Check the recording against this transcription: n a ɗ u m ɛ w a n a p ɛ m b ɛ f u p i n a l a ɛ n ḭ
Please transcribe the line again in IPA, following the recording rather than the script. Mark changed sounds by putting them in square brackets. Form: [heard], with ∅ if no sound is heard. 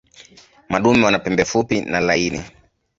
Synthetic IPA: [m] a ɗ u m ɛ w a n a p ɛ m b ɛ f u p i n a l a [i] n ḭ